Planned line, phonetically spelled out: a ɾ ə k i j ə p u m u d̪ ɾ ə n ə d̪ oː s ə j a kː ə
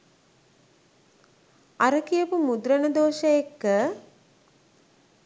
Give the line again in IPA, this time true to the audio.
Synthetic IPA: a ɾ ə k i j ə p u m u d̪ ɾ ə n ə d̪ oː ʃ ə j e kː ə

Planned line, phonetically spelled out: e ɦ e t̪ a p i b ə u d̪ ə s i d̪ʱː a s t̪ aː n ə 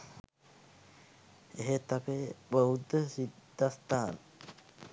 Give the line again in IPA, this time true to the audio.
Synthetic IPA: e ɦ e t̪ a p e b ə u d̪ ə s i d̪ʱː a s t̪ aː n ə

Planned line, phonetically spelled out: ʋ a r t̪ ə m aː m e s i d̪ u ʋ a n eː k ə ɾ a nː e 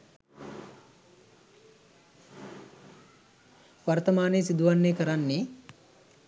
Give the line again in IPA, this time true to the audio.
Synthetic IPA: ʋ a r t̪ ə m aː n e s i d̪ u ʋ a nː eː k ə ɾ a nː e

